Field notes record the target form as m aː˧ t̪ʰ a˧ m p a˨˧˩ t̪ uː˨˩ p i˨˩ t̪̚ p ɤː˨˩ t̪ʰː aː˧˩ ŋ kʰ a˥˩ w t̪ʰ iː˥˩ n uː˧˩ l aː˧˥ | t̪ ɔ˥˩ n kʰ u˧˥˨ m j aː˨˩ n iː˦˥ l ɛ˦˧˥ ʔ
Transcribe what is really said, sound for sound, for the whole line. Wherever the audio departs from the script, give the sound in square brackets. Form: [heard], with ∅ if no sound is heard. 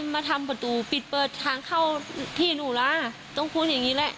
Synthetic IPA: m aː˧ t̪ʰ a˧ m p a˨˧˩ t̪ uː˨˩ p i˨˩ t̪̚ p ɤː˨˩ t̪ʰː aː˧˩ ŋ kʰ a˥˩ w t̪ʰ iː˥˩ n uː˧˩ l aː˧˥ | t̪ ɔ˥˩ [ŋ] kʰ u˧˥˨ [n] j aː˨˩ [ŋ] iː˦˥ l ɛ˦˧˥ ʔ